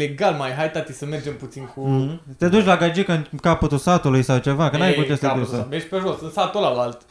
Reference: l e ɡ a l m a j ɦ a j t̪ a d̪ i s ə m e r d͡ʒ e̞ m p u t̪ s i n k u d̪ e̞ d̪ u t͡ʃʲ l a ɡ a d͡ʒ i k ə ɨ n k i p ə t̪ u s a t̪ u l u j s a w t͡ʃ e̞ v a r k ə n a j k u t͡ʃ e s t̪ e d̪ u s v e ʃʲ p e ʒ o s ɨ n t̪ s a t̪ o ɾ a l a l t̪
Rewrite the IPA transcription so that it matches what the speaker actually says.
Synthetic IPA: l e ɡ a l m a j ɦ a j t̪ a t̪ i s ə m e r d͡ʒ e̞ m p u t̪ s i n k u t̪ e̞ d̪ u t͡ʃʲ l a ɡ a d͡ʒ i k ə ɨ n k a p ə t̪ u s a t̪ u l u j s a w t͡ʃ e̞ v a k ə n a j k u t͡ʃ e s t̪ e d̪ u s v e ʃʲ p e ʒ o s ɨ n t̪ s a t̪ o l a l a l t̪